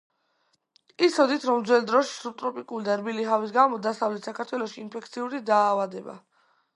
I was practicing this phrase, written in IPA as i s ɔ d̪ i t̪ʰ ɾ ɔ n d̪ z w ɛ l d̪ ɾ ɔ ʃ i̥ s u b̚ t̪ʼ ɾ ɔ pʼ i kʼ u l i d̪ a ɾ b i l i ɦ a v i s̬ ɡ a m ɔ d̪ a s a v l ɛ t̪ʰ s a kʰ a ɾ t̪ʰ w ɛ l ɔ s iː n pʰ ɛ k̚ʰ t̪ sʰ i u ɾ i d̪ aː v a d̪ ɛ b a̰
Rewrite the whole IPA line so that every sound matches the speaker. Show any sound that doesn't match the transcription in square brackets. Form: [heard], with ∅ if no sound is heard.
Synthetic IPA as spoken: i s ɔ d̪ i t̪ʰ ɾ ɔ [m] d̪ z w ɛ l d̪ ɾ ɔ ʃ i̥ s u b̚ t̪ʼ ɾ ɔ pʼ i kʼ u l i d̪ a ɾ b i l i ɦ a v i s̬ ɡ a m ɔ d̪ a s a v l ɛ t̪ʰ s a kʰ a ɾ t̪ʰ w ɛ l ɔ [ʃ] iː n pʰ ɛ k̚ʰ t̪ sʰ i u ɾ i d̪ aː v a d̪ ɛ b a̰

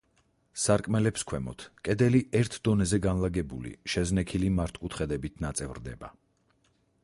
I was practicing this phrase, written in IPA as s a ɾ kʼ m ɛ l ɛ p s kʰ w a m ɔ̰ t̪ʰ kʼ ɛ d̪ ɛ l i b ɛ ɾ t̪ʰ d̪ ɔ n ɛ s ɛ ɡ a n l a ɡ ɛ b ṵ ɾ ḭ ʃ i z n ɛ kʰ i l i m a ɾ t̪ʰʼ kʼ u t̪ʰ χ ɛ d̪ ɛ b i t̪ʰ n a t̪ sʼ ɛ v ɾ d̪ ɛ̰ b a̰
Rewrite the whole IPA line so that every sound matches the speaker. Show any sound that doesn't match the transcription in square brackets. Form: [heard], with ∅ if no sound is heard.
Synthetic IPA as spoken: s a ɾ kʼ m ɛ l ɛ p s kʰ w [ɛ] m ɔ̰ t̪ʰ kʼ ɛ d̪ ɛ l i [∅] ɛ ɾ t̪ʰ d̪ ɔ n ɛ [z] ɛ ɡ a n l a ɡ ɛ b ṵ [l] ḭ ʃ [ɛ] z n ɛ kʰ i l i m a ɾ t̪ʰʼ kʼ u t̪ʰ χ ɛ d̪ ɛ b i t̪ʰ n a t̪ sʼ ɛ v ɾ d̪ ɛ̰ b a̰

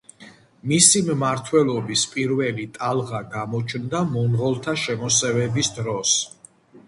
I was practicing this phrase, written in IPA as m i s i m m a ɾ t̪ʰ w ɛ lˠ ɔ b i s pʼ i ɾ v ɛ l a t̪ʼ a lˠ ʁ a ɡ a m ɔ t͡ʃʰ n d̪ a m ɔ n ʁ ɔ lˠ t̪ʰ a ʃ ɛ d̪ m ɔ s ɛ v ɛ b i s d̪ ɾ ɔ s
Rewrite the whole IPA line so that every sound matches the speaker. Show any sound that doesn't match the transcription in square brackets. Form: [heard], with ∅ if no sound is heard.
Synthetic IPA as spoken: m i s i m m a ɾ t̪ʰ w ɛ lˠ ɔ b i s pʼ i ɾ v ɛ l [i] t̪ʼ a lˠ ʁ a ɡ a m ɔ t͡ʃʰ n d̪ a m ɔ n ʁ ɔ lˠ t̪ʰ a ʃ ɛ [∅] m ɔ s ɛ v ɛ b i s d̪ ɾ ɔ s

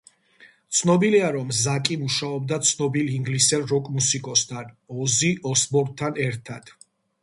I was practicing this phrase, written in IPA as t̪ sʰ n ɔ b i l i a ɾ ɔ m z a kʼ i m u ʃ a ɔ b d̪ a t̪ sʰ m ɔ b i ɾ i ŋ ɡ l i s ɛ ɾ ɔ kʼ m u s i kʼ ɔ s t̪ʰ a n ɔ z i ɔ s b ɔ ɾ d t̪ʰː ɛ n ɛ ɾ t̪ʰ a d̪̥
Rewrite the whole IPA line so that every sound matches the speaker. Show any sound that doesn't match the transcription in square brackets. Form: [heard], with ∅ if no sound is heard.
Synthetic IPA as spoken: t̪ sʰ n ɔ b i l i a ɾ ɔ m z a kʼ i m u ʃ a ɔ b d̪ a t̪ sʰ [n] ɔ b i [l] i ŋ ɡ l i s ɛ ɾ ɔ kʼ m u s i kʼ ɔ s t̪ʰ a n ɔ z i ɔ s b ɔ ɾ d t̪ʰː [a] n ɛ ɾ t̪ʰ a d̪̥

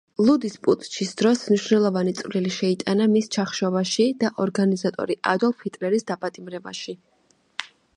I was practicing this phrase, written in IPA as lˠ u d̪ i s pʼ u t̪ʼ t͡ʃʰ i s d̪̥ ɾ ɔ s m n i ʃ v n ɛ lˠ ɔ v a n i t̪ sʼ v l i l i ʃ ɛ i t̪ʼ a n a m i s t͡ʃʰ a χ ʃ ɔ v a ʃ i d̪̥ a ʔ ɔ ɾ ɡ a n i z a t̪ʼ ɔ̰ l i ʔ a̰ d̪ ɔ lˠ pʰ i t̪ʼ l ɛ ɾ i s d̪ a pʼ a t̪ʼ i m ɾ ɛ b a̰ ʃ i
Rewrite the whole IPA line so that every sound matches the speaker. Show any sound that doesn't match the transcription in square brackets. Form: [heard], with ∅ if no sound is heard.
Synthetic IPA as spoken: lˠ u d̪ i s pʼ u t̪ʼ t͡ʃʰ i s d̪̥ ɾ ɔ s m n i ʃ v n ɛ lˠ ɔ v a n i t̪ sʼ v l i l i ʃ ɛ i t̪ʼ a n a m i s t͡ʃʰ a χ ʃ ɔ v a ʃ i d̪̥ a ʔ ɔ ɾ ɡ a n i z a t̪ʼ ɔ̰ [ɾ] i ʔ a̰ d̪ ɔ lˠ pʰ i t̪ʼ l ɛ ɾ i s d̪ a pʼ a t̪ʼ i m ɾ ɛ b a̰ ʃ i

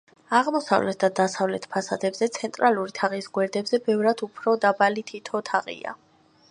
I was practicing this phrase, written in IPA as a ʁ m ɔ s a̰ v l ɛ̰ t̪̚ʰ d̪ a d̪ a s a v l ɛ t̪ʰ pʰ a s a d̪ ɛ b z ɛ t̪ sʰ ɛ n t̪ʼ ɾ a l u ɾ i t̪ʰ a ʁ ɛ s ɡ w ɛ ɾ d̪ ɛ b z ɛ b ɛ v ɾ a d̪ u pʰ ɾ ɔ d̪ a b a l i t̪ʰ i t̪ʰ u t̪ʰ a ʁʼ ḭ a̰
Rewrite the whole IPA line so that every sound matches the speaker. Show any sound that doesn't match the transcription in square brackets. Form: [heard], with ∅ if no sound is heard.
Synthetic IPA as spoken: a ʁ m ɔ s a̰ v l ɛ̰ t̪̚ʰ d̪ a d̪ a s a v l ɛ t̪ʰ pʰ a s a d̪ ɛ b z ɛ t̪ sʰ ɛ n t̪ʼ ɾ a l u ɾ i t̪ʰ a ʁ [i] s ɡ w ɛ ɾ d̪ ɛ b z ɛ b ɛ v ɾ a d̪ u pʰ ɾ ɔ d̪ a b a l i t̪ʰ i t̪ʰ [ɔ] t̪ʰ a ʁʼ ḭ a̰

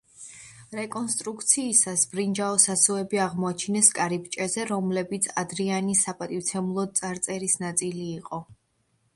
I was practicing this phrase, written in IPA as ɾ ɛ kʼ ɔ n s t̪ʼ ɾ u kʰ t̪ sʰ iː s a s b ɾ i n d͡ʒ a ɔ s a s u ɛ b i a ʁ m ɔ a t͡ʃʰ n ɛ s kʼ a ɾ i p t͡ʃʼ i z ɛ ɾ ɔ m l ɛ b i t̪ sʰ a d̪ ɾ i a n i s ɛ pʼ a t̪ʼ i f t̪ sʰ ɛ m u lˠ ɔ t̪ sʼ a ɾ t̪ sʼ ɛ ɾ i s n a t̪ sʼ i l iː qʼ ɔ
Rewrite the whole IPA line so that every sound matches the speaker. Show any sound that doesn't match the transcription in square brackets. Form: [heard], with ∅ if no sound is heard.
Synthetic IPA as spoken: ɾ ɛ kʼ ɔ n s t̪ʼ ɾ u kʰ t̪ sʰ iː s a s b ɾ i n d͡ʒ a ɔ s a s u ɛ b i a ʁ m ɔ a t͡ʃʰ n ɛ s kʼ a ɾ i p t͡ʃʼ [ɛ] z ɛ ɾ ɔ m l ɛ b i t̪ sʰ a d̪ ɾ i a n i s [a] pʼ a t̪ʼ i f t̪ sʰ ɛ m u lˠ ɔ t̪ sʼ a ɾ t̪ sʼ ɛ ɾ i s n a t̪ sʼ i l iː qʼ ɔ

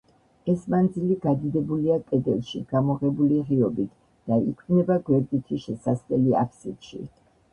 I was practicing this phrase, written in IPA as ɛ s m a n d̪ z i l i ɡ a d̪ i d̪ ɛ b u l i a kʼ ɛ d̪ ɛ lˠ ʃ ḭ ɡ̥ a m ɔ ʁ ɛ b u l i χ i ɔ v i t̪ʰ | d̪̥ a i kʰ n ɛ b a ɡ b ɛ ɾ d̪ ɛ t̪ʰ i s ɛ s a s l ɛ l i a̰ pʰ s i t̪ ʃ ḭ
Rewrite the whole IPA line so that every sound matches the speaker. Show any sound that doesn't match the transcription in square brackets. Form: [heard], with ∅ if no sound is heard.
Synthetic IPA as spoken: ɛ s m a n d̪ z i l i ɡ a d̪ i d̪ ɛ b u l i a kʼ ɛ d̪ ɛ lˠ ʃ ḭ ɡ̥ a m ɔ ʁ ɛ b u l i [ʁ] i ɔ [b] i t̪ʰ | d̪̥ a i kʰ n ɛ b a ɡ [w] ɛ ɾ d̪ [i] t̪ʰ i [ʃ] ɛ s a s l ɛ l i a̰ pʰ s i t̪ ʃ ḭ

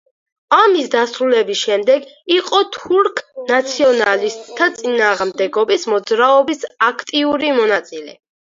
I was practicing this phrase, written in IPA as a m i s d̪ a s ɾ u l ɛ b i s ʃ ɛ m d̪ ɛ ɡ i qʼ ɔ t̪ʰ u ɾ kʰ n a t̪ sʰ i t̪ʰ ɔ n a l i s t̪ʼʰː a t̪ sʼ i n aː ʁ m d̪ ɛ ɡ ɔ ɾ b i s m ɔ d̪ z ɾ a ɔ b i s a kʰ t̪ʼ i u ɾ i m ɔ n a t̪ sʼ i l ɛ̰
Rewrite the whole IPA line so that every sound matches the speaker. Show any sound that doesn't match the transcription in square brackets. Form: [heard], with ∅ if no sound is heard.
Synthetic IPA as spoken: a m i s d̪ a s ɾ u l ɛ b i s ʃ ɛ m d̪ ɛ ɡ i qʼ ɔ t̪ʰ u ɾ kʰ n a t̪ sʰ i [∅] ɔ n a l i s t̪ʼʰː a t̪ sʼ i n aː ʁ m d̪ ɛ ɡ ɔ [∅] b i s m ɔ d̪ z ɾ a ɔ b i s a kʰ t̪ʼ i u ɾ i m ɔ n a t̪ sʼ i l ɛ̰

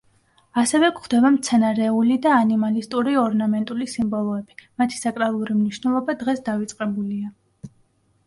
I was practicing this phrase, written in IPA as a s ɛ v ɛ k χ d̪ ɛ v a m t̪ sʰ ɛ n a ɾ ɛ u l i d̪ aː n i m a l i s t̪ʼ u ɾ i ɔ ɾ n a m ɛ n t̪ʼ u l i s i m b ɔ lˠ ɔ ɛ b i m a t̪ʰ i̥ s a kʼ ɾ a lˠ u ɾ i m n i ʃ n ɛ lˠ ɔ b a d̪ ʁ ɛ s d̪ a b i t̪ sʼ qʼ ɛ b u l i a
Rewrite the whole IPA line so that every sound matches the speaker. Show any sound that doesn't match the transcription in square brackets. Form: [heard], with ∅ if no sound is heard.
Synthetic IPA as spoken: a s ɛ v ɛ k χ d̪ ɛ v a m t̪ sʰ ɛ n a ɾ ɛ u l i d̪ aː n i m a l i s t̪ʼ u ɾ i ɔ ɾ n a m ɛ n t̪ʼ u l i s i m b ɔ lˠ ɔ ɛ b i m a t̪ʰ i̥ s a kʼ ɾ a lˠ u ɾ i m n i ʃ n ɛ lˠ ɔ b a d̪ ʁ ɛ s d̪ a [v] i t̪ sʼ qʼ ɛ b u l i a

